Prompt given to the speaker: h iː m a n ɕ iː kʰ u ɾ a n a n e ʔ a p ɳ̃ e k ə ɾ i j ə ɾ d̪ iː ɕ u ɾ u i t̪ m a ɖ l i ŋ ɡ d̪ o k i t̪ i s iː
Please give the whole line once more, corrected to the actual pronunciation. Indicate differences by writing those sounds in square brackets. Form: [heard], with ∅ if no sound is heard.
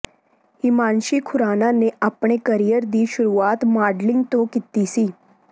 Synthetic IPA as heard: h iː m a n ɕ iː kʰ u ɾ a n a n e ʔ a p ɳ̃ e k ə ɾ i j ə ɾ d̪ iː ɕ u ɾ u [a] t̪ m a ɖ l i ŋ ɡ [t̪] o k i t̪ i s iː